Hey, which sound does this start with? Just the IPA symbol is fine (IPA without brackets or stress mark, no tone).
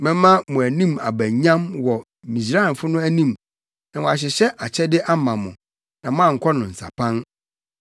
m